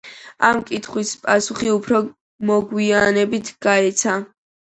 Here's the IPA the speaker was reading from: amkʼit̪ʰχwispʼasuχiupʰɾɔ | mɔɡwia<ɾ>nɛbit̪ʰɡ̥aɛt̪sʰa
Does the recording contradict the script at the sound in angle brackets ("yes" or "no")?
yes